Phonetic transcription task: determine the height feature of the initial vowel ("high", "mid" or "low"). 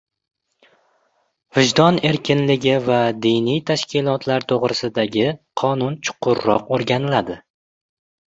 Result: high